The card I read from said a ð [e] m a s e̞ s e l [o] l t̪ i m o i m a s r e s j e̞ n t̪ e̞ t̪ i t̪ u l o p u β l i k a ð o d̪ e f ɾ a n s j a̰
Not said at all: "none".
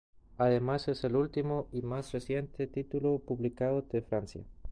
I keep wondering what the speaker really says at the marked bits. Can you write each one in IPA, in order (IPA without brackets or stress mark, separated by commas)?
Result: e, u